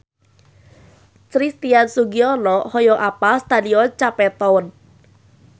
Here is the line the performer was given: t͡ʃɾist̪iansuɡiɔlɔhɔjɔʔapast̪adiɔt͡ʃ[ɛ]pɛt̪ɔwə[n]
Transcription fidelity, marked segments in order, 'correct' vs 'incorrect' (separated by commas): incorrect, correct